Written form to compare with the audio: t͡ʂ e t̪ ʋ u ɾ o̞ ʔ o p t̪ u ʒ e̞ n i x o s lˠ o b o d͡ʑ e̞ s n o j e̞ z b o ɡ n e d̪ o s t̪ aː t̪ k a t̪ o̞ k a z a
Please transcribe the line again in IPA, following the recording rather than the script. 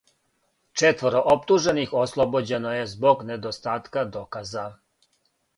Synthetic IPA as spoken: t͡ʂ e t̪ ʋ o ɾ o̞ ʔ o p t̪ u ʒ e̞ n i x o s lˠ o b o d͡ʑ e̞ n o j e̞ z b o ɡ n e d̪ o s t̪ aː t̪ k a d̪ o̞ k a z a

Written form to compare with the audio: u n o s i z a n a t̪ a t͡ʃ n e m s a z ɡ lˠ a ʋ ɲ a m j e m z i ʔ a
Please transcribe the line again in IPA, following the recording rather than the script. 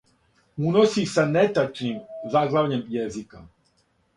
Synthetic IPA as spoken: u n o s i s a n e t̪ a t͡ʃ n i m z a ɡ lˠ a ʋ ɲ e m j e z i k a

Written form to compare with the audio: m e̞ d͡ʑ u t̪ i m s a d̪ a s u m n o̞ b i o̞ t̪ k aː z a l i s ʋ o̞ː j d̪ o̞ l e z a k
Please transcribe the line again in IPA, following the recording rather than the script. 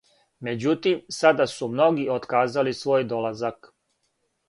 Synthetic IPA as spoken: m e̞ d͡ʑ u t̪ i m s a d̪ a s u m n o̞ ɡ i o̞ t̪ k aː z a l i s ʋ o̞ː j d̪ o̞ l a z a k

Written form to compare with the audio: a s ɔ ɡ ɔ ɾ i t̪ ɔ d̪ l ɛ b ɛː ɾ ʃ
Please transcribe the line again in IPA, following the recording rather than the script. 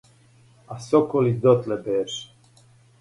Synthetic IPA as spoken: a s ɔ k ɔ l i d̪ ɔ t̪ l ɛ b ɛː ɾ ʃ

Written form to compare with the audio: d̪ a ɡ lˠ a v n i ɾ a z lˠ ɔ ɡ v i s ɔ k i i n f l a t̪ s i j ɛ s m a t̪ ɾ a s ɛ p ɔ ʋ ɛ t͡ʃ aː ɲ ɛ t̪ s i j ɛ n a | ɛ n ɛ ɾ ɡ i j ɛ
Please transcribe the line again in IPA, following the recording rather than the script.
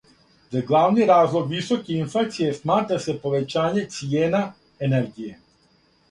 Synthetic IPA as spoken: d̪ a ɡ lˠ a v n i ɾ a z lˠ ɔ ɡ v i s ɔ k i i n f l a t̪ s i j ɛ s m a t̪ ɾ a s ɛ p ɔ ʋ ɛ t͡ʃ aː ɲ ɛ t̪ s i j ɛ n a | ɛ n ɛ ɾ ɡ i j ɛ

